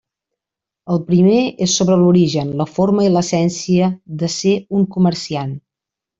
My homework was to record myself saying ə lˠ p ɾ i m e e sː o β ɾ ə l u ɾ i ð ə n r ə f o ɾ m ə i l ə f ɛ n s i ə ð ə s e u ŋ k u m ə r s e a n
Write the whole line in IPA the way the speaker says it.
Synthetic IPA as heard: ə lˠ p ɾ i m e e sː o β ɾ ə l u ɾ i ʒ ə n l ə f o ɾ m ə i l ə s ɛ n s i ə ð ə s e u ŋ k u m ə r s i a n